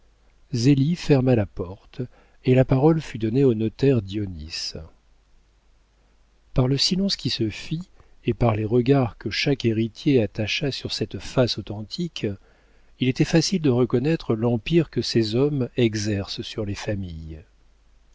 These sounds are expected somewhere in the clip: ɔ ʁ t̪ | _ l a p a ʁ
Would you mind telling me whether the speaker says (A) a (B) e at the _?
B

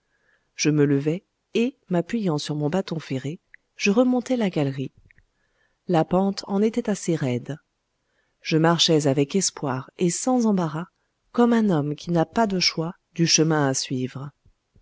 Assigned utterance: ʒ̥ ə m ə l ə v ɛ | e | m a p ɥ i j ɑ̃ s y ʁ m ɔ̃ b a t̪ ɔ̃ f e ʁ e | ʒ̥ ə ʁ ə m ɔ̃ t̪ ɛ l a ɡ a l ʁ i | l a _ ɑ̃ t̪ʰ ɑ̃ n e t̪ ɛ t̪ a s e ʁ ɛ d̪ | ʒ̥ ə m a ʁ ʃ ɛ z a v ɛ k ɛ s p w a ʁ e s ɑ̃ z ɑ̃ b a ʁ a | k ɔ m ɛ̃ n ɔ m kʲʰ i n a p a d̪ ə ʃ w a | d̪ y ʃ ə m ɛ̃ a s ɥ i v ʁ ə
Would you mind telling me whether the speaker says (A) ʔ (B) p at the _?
B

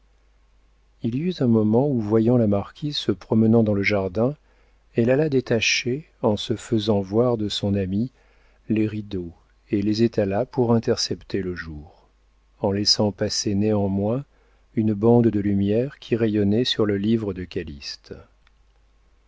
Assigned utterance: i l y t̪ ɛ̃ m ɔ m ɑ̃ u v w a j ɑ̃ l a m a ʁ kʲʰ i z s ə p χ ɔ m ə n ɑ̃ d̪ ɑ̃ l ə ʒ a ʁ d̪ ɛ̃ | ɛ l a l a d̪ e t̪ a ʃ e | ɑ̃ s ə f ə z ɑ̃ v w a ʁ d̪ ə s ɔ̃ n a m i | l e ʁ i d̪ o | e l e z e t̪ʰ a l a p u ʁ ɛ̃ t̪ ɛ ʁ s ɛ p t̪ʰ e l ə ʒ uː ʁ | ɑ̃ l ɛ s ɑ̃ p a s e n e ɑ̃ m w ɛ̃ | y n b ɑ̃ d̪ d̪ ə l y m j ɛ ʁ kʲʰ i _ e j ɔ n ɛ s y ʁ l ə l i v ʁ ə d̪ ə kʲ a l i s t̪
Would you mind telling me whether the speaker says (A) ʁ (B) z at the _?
A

